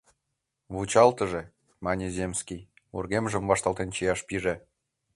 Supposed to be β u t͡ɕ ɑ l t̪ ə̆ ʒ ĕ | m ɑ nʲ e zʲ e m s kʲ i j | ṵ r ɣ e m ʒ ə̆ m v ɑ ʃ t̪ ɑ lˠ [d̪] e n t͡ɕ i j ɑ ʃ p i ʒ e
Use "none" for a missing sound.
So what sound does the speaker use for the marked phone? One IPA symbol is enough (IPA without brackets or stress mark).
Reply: t̪